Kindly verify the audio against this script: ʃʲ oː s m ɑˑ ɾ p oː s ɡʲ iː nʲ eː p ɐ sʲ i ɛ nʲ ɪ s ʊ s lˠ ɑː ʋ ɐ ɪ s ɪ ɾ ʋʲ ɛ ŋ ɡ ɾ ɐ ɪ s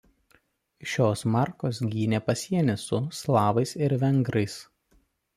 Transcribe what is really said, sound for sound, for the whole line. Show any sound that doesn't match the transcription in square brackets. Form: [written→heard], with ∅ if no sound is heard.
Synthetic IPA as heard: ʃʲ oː s m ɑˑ ɾ [p→k] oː s ɡʲ iː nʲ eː p ɐ sʲ i ɛ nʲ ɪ s ʊ s lˠ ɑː ʋ ɐ ɪ s ɪ ɾ ʋʲ ɛ ŋ ɡ ɾ ɐ ɪ s